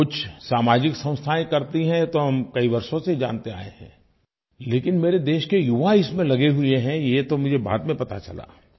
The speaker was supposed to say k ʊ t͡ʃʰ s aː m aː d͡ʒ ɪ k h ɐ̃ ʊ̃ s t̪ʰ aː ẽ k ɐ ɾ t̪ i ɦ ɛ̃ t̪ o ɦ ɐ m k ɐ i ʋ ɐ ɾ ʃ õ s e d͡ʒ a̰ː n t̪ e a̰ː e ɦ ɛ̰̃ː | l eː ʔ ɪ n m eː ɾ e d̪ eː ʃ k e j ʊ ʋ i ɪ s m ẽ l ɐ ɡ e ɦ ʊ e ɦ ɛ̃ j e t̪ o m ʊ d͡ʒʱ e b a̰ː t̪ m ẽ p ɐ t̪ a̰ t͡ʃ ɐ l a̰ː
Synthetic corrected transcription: k ʊ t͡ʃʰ s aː m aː d͡ʒ ɪ k s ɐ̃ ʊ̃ s t̪ʰ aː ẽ k ɐ ɾ t̪ i ɦ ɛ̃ t̪ o ɦ ɐ m k ɐ i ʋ ɐ ɾ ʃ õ s e d͡ʒ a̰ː n t̪ e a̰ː e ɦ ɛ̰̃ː | l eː k ɪ n m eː ɾ e d̪ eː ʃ k e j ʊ ʋ a ɪ s m ẽ l ɐ ɡ e ɦ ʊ e ɦ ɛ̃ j e t̪ o m ʊ d͡ʒʱ e b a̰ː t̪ m ẽ p ɐ t̪ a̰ t͡ʃ ɐ l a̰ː

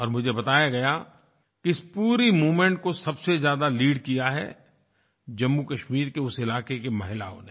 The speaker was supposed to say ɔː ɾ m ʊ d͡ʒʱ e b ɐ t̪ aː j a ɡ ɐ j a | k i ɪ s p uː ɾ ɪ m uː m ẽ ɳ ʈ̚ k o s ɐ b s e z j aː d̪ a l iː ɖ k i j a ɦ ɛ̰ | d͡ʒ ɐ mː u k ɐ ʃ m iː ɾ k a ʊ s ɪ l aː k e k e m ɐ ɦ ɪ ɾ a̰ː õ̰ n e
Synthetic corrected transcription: ɔː ɾ m ʊ d͡ʒʱ e b ɐ t̪ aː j a ɡ ɐ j a | k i ɪ s p uː ɾ i m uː m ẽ ɳ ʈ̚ k o s ɐ b s e z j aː d̪ a l iː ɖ k i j a ɦ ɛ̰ | d͡ʒ ɐ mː u k ɐ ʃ m iː ɾ k e ʊ s ɪ l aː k e k e m ɐ ɦ ɪ l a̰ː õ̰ n e

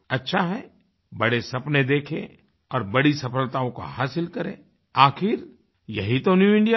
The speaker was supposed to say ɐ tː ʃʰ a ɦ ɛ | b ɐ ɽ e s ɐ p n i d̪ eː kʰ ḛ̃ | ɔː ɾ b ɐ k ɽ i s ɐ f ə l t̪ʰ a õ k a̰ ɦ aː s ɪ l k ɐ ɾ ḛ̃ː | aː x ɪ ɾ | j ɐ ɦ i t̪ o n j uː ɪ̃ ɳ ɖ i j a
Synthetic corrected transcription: ɐ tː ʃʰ a ɦ ɛ | b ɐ ɽ e s ɐ p n e d̪ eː kʰ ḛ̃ | ɔː ɾ b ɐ ɽ i s ɐ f ə l t̪ a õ k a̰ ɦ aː s ɪ l k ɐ ɾ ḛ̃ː | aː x ɪ ɾ | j ɐ ɦ i t̪ o n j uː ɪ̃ ɳ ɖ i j a

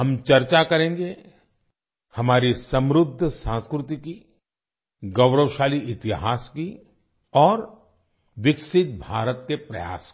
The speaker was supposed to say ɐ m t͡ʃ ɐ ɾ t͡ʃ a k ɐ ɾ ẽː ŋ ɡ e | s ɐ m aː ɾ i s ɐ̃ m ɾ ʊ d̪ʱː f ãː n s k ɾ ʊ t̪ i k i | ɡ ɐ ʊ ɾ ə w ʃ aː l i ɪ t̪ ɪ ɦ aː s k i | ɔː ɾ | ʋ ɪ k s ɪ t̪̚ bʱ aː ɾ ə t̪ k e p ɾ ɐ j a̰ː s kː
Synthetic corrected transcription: ɐ m t͡ʃ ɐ ɾ t͡ʃ a k ɐ ɾ ẽː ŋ ɡ e | h ɐ m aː ɾ i s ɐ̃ m ɾ ʊ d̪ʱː s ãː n s k ɾ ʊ t̪ i k i | ɡ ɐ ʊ ɾ ə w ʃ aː l i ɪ t̪ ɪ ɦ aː s k i | ɔː ɾ | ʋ ɪ k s ɪ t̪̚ bʱ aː ɾ ə t̪ k e p ɾ ɐ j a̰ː s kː

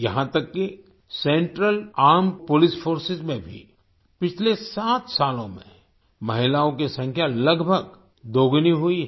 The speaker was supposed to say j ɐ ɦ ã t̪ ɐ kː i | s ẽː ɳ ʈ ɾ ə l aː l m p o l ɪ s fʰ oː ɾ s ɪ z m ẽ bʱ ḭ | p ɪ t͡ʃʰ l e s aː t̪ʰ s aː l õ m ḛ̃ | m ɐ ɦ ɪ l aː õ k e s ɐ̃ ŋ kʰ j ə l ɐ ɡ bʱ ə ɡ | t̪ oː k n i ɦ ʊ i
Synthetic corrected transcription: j ɐ ɦ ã t̪ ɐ kː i | s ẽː ɳ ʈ ɾ ə l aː ɾ m p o l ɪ s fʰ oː ɾ s ɪ z m ẽ bʱ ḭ | p ɪ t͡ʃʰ l e s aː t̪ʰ s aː l õ m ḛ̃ | m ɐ ɦ ɪ l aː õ k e s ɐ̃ ŋ kʰ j a l ɐ ɡ bʱ ə ɡ | d̪ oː ɡ n i ɦ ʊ i

